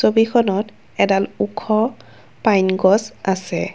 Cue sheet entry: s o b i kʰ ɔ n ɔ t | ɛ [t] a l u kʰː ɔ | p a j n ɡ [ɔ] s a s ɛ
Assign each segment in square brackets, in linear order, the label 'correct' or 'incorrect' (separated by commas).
incorrect, correct